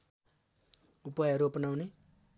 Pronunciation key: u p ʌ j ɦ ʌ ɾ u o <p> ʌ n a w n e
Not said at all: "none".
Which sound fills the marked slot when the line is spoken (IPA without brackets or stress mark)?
p